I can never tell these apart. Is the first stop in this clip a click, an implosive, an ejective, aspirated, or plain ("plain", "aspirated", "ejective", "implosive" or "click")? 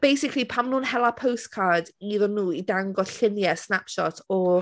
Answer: plain